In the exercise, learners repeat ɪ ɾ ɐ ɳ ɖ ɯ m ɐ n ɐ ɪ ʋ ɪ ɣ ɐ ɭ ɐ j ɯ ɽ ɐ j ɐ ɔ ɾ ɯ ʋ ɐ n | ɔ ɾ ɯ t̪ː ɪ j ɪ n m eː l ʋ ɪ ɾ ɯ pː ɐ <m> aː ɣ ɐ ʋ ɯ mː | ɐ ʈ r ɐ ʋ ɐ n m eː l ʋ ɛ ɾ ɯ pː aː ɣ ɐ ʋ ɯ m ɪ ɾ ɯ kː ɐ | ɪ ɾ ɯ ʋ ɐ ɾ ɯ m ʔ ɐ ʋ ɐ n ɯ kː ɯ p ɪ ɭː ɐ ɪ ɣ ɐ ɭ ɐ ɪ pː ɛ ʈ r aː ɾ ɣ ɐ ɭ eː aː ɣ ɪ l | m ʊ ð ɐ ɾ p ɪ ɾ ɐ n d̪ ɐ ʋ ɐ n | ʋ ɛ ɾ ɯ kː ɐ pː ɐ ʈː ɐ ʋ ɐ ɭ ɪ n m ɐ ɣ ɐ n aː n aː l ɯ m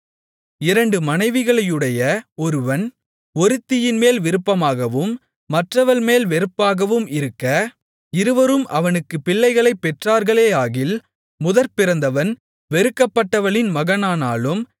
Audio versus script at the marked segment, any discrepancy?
no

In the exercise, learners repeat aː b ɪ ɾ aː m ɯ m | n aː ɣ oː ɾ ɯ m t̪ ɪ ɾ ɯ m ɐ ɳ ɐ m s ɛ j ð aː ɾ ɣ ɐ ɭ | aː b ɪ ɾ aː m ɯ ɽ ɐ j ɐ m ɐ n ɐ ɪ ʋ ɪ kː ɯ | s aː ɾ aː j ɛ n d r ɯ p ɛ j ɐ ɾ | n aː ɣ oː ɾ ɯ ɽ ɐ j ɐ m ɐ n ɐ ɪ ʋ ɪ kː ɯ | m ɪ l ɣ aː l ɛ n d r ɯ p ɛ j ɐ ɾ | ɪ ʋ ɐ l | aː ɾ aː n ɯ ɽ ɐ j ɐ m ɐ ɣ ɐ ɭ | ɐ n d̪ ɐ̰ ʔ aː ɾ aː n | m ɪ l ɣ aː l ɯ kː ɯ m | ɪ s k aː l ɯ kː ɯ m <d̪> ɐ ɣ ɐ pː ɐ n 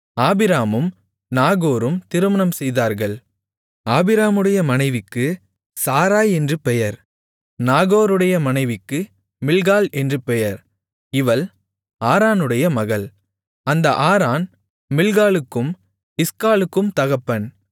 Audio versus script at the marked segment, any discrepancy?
yes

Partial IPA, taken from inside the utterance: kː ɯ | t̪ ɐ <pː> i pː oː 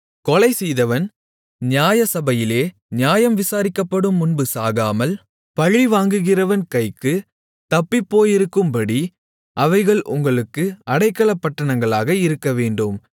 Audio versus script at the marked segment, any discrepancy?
no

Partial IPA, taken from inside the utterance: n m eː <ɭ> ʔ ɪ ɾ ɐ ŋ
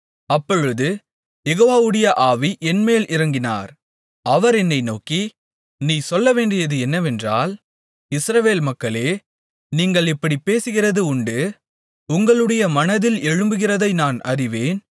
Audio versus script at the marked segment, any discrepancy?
yes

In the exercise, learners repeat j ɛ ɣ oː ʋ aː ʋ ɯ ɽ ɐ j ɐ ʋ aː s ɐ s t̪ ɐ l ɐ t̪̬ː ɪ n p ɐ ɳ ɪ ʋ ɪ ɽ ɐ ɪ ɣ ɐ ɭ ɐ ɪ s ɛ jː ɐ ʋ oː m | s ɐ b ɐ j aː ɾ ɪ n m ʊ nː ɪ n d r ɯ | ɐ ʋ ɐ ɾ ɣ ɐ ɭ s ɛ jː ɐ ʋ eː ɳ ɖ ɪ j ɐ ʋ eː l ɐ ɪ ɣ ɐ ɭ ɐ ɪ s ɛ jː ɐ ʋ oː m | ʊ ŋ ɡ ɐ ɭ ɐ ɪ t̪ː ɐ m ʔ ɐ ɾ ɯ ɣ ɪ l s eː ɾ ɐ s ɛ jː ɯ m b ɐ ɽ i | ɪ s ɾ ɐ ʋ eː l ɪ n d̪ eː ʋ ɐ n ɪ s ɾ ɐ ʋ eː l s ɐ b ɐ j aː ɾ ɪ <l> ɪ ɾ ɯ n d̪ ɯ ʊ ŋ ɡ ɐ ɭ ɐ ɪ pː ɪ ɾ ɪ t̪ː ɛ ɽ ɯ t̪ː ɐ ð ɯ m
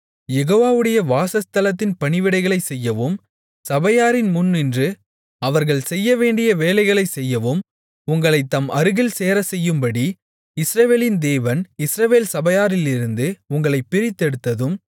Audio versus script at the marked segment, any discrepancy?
no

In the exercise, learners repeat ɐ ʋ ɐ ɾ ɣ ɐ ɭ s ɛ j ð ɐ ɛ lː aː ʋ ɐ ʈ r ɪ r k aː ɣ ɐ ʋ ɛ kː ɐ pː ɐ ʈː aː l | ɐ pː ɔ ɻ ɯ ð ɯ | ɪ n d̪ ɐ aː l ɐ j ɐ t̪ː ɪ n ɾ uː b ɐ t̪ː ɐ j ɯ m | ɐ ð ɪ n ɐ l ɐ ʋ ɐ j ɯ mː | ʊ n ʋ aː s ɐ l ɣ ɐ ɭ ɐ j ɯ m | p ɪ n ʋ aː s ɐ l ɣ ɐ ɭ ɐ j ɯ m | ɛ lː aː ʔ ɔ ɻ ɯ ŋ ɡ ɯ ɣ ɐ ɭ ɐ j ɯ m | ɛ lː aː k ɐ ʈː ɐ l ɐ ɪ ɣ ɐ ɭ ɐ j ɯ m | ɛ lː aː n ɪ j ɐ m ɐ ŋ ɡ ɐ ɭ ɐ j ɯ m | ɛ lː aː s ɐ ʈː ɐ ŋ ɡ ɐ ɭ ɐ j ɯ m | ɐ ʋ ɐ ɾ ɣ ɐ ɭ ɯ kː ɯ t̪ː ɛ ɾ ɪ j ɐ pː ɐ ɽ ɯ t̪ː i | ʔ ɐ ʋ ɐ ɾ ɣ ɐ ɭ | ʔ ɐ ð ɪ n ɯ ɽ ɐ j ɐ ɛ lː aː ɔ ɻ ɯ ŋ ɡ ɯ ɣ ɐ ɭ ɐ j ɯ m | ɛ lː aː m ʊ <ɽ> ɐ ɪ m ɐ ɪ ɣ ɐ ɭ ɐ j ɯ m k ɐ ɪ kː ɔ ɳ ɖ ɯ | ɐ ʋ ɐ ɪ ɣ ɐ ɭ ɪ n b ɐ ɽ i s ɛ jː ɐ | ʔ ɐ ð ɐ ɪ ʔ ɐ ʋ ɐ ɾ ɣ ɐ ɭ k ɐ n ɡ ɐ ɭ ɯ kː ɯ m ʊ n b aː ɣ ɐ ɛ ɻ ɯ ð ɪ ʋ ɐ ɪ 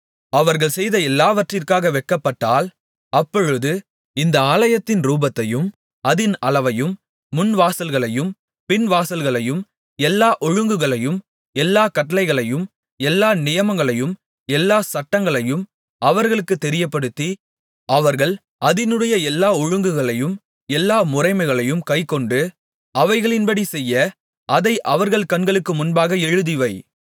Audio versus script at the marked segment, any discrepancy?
yes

